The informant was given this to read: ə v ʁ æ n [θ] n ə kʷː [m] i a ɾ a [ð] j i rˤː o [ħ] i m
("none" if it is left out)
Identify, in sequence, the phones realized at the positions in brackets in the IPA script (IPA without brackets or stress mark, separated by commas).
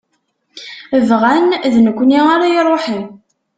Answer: ð, n, none, ħ